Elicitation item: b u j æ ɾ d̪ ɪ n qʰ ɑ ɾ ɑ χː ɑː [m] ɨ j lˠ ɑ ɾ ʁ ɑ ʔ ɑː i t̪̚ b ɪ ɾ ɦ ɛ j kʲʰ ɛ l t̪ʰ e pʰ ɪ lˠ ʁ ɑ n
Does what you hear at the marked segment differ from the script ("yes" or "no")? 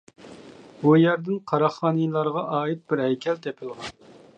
yes